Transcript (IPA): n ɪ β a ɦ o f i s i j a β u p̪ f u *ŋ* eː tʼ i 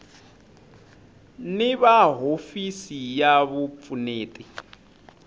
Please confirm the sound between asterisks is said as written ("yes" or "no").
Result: no